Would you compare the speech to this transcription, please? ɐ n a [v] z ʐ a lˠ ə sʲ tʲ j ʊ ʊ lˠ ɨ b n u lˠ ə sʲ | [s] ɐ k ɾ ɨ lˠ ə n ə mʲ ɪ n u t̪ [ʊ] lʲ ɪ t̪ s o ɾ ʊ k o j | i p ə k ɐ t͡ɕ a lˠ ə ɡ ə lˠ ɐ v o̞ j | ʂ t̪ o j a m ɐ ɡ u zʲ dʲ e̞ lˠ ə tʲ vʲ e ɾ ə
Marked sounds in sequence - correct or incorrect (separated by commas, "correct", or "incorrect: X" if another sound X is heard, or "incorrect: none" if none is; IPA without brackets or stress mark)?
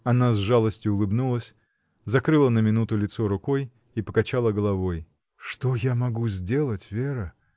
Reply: incorrect: none, incorrect: z, correct